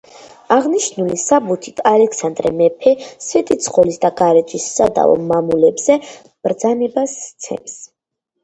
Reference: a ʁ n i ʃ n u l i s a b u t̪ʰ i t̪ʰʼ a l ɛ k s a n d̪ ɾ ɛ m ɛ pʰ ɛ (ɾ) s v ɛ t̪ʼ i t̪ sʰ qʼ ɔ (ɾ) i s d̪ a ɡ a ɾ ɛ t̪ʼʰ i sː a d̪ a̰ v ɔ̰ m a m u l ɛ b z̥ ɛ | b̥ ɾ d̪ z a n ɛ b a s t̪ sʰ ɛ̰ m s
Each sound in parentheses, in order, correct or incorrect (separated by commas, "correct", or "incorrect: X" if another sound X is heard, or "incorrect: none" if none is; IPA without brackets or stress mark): incorrect: none, incorrect: l